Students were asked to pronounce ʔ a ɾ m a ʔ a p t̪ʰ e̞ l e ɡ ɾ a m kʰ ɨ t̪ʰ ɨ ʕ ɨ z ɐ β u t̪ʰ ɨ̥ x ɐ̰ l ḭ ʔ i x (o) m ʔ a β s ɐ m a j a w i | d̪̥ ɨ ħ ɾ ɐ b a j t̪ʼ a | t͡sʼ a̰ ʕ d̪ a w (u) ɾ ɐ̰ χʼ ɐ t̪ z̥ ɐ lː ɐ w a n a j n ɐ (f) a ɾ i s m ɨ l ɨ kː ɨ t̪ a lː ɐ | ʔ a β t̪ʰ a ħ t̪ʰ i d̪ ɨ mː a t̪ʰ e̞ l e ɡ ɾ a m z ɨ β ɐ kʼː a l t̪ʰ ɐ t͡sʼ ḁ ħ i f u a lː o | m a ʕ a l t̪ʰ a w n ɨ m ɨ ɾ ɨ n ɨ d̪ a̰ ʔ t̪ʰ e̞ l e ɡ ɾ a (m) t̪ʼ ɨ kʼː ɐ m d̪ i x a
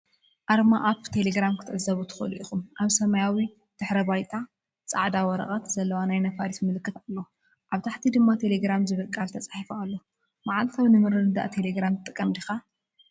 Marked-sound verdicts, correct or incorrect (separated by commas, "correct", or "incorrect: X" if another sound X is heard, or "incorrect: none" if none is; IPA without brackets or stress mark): incorrect: u, incorrect: ɔ, correct, correct